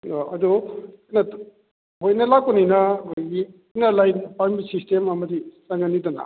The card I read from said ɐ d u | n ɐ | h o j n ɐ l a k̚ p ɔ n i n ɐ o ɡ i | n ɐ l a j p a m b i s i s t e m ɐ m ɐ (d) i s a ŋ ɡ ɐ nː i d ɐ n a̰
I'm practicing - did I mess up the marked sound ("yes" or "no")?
no